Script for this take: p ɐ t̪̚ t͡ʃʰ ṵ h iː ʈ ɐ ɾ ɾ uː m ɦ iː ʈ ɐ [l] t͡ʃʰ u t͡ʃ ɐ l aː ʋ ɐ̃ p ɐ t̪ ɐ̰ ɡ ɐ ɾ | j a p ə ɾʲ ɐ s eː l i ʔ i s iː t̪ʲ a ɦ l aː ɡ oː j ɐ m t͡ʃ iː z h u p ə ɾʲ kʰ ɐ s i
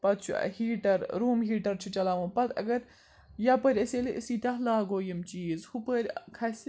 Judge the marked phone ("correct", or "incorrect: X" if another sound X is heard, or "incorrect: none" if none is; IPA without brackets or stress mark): incorrect: ɾ